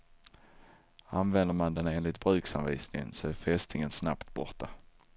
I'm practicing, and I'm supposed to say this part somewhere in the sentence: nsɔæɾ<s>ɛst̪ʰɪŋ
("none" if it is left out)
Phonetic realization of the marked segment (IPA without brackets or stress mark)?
f